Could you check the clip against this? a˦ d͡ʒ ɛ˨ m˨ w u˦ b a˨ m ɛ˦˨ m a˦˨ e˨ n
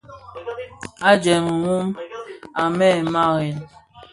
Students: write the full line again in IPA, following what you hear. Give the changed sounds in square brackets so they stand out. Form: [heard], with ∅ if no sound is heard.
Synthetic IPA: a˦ d͡ʒ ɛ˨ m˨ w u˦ [m] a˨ m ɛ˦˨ m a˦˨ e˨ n